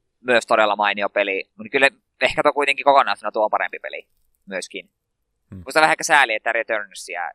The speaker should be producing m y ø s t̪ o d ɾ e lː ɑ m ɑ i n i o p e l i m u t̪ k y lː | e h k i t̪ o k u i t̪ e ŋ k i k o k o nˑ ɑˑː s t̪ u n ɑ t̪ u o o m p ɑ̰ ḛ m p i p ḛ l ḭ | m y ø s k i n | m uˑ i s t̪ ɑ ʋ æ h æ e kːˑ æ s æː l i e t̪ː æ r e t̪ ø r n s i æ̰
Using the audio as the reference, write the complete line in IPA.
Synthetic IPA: m y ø s t̪ o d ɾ e lː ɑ m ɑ i n i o p e l i m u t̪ k y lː | e h k æ t̪ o k u i t̪ e ŋ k i k o k o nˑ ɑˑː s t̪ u n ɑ t̪ u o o m p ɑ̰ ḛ m p i p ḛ l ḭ | m y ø s k i n | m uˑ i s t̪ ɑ ʋ æ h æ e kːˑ æ s æː l i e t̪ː æ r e t̪ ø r n s i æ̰